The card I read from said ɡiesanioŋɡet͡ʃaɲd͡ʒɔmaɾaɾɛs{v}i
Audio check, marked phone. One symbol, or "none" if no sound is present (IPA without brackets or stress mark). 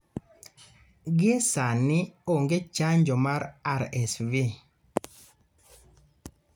v